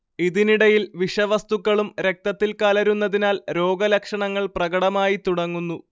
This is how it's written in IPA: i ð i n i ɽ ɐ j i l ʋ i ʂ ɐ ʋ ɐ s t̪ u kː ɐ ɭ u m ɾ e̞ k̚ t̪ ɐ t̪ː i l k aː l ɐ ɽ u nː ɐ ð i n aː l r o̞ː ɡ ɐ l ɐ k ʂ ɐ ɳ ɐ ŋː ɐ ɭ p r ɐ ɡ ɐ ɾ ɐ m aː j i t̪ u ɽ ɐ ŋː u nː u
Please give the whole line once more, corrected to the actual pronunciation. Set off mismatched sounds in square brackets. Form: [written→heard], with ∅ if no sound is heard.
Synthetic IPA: i ð i n i ɽ ɐ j i l ʋ i ʂ ɐ ʋ ɐ s t̪ u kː ɐ ɭ u m ɾ e̞ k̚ t̪ ɐ t̪ː i l k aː l ɐ [ɽ→ɾ] u nː ɐ ð i n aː l [r→ɾ] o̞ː ɡ ɐ l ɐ k ʂ ɐ ɳ ɐ ŋː ɐ ɭ p r ɐ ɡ ɐ [ɾ→ɽ] ɐ m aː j i t̪ u ɽ ɐ ŋː u nː u

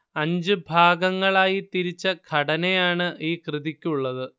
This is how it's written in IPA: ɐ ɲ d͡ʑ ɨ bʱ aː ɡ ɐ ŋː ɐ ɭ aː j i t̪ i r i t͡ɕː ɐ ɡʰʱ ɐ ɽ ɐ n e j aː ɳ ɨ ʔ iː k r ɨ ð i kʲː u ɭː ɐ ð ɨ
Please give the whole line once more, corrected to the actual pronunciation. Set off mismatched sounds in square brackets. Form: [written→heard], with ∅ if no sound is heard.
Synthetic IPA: ɐ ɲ d͡ʑ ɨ bʱ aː ɡ ɐ ŋː ɐ ɭ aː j i t̪ i [r→ɾ] i t͡ɕː ɐ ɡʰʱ ɐ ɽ ɐ n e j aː ɳ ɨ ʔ iː k r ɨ ð i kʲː u ɭː ɐ ð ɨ

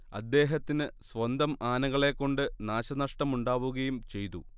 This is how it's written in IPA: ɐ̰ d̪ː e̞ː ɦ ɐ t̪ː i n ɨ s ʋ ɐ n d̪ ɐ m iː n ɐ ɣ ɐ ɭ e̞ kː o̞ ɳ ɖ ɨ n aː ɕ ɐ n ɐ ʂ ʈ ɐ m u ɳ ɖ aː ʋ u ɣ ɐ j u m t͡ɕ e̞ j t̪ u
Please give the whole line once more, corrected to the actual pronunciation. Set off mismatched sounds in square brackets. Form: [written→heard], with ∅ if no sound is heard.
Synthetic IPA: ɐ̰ d̪ː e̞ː ɦ ɐ t̪ː i n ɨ s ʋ ɐ n d̪ ɐ m [iː→aː] n ɐ ɣ ɐ ɭ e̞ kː o̞ ɳ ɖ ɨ n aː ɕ ɐ n ɐ ʂ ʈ ɐ m u ɳ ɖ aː ʋ u ɣ ɐ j u m t͡ɕ e̞ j t̪ u

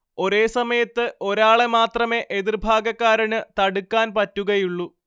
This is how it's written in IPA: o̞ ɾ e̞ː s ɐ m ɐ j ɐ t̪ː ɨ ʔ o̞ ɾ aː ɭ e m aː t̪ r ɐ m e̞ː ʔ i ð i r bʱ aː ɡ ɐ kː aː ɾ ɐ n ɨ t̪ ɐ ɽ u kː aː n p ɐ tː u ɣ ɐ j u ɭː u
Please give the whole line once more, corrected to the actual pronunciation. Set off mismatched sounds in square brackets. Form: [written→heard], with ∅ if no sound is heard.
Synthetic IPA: o̞ ɾ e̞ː s ɐ m ɐ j ɐ t̪ː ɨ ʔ o̞ ɾ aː ɭ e m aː t̪ r ɐ m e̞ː ʔ [i→e] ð i r bʱ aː ɡ ɐ kː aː ɾ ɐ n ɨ t̪ ɐ ɽ u kː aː n p ɐ tː u ɣ ɐ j u ɭː u

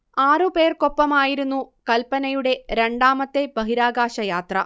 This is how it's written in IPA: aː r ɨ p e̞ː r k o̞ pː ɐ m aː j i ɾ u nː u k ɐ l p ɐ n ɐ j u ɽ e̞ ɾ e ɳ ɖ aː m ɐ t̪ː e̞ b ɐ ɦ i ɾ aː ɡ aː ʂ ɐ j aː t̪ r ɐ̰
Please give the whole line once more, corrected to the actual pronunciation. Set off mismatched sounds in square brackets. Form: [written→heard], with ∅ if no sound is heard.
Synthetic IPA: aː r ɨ p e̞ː r k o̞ pː ɐ m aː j i ɾ u nː u k ɐ l p ɐ n ɐ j u ɽ e̞ ɾ e ɳ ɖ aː m ɐ t̪ː e̞ b ɐ ɦ i ɾ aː ɡ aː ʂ ɐ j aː t̪ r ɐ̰

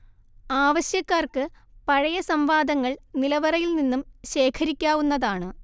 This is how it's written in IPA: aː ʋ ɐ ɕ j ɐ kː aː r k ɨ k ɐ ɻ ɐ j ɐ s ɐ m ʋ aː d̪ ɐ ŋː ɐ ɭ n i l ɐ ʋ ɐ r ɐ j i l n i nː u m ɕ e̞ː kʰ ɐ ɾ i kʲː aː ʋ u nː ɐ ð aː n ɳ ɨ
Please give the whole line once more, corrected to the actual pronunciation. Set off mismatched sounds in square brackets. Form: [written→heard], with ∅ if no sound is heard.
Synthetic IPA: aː ʋ ɐ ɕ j ɐ kː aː r k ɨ [k→p] ɐ ɻ ɐ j ɐ s ɐ m ʋ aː d̪ ɐ ŋː ɐ ɭ n i l ɐ ʋ ɐ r ɐ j i l n i nː u m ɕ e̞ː kʰ ɐ ɾ i kʲː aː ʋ u nː ɐ ð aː [n→∅] ɳ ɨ

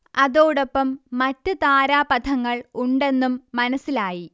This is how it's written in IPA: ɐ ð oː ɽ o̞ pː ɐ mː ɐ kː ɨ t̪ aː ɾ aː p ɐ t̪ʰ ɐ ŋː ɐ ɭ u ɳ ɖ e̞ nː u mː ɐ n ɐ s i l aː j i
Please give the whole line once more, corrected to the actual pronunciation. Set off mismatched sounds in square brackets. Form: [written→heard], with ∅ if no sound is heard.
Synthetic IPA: ɐ ð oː ɽ o̞ pː ɐ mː ɐ [kː→tː] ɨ t̪ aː ɾ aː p ɐ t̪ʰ ɐ ŋː ɐ ɭ u ɳ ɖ e̞ nː u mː ɐ n ɐ s i l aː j i

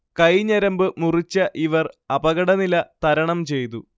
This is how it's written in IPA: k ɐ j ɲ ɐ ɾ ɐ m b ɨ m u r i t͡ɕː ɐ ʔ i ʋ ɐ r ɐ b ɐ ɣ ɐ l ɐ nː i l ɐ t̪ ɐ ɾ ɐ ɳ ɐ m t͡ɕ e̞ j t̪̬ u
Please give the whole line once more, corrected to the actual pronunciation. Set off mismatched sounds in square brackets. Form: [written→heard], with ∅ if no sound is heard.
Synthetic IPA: k ɐ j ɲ ɐ ɾ ɐ m b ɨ m u r i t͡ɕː ɐ ʔ i ʋ ɐ r ɐ b ɐ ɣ ɐ [l→ɽ] ɐ [nː→n] i l ɐ t̪ ɐ ɾ ɐ ɳ ɐ m t͡ɕ e̞ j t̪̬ u

